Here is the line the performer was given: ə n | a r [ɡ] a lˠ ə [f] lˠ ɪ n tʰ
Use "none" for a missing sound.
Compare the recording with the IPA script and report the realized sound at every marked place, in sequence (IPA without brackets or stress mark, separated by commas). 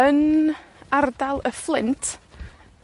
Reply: d, f